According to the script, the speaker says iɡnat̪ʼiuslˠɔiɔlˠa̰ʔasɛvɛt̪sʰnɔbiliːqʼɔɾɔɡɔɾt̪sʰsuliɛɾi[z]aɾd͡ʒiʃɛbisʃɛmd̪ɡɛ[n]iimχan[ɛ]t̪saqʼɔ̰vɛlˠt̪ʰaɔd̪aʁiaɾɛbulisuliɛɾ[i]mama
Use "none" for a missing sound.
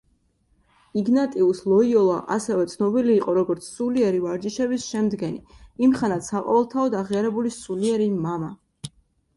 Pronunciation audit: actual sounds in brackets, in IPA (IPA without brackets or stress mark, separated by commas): v, n, a, i